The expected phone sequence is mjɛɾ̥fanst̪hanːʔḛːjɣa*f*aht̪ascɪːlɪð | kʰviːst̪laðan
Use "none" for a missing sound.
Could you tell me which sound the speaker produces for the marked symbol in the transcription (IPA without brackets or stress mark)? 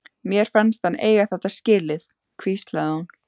θ